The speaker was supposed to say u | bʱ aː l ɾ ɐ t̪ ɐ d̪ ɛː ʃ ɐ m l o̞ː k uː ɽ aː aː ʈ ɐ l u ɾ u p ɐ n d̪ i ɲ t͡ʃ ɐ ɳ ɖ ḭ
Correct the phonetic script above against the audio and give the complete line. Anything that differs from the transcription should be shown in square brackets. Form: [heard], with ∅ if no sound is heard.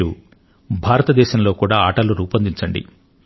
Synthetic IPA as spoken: u | bʱ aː [∅] ɾ ɐ t̪ ɐ d̪ ɛː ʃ ɐ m l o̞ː k uː ɽ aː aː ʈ ɐ l u ɾ [uː] p ɐ n d̪ i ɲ t͡ʃ ɐ ɳ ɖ ḭ